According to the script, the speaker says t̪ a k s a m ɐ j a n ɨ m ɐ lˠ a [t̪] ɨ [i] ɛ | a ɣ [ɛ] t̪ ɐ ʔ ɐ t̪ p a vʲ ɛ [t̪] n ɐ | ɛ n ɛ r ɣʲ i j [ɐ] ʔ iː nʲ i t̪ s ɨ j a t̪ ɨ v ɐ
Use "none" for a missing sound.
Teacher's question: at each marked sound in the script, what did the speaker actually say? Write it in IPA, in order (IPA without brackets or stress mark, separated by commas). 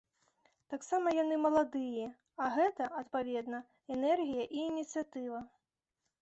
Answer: d̪, j, ɛ, d̪, ɐ